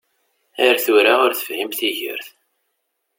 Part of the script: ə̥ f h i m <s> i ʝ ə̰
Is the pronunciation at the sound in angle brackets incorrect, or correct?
incorrect